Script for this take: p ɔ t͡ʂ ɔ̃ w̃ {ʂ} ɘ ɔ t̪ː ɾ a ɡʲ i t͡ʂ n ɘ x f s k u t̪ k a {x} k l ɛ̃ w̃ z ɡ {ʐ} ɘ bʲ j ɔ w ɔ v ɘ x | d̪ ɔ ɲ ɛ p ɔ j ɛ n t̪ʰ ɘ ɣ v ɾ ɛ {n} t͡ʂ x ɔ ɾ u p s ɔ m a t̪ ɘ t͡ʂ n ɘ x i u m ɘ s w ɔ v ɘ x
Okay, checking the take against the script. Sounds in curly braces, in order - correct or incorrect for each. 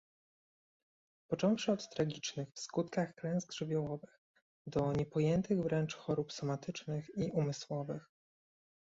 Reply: correct, correct, correct, correct

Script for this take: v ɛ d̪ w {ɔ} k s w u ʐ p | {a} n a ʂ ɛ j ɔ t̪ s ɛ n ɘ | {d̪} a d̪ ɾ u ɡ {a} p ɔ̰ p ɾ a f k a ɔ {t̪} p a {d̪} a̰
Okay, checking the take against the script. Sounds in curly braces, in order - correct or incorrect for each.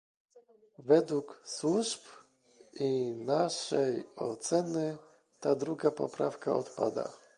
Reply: incorrect, incorrect, incorrect, correct, correct, correct

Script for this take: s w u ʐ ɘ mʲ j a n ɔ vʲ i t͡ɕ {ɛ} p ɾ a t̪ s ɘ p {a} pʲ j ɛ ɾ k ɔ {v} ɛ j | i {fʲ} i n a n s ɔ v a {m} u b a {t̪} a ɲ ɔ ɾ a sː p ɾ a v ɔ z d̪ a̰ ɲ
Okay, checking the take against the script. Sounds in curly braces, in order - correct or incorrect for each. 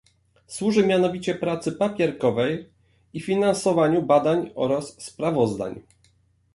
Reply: correct, correct, correct, correct, incorrect, incorrect

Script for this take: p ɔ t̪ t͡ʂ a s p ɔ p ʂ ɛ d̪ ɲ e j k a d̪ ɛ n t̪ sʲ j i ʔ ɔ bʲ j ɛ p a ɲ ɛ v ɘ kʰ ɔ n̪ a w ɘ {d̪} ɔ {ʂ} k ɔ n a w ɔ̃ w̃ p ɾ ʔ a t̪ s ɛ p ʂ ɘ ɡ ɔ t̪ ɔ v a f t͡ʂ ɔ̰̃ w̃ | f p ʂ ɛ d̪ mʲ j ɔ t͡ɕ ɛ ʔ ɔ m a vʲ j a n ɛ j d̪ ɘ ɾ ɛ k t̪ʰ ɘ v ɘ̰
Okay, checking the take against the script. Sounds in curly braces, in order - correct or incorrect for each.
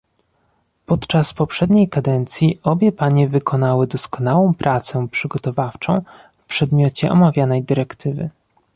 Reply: correct, incorrect

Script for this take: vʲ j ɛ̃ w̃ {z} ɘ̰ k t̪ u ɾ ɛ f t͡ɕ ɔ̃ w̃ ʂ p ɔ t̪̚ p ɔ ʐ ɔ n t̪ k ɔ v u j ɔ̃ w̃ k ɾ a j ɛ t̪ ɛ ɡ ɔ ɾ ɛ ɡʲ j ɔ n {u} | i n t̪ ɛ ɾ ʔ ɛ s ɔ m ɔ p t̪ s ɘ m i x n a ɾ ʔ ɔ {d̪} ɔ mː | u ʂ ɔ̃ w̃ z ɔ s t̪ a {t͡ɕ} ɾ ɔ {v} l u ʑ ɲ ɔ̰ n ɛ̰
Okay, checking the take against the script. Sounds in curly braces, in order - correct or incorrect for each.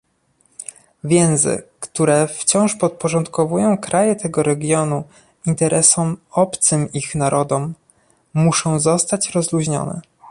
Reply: correct, correct, correct, correct, incorrect

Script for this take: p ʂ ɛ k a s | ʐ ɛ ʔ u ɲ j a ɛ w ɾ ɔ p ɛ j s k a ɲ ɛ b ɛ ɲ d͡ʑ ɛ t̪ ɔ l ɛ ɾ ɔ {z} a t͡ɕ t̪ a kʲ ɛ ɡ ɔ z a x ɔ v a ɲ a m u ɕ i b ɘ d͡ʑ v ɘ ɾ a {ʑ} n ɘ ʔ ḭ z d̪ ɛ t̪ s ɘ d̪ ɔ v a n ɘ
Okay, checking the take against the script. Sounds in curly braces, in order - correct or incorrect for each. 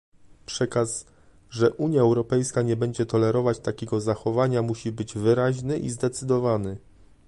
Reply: incorrect, correct

